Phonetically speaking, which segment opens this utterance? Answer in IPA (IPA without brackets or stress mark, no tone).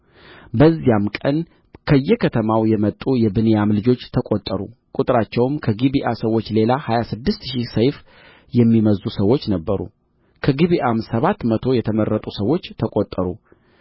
b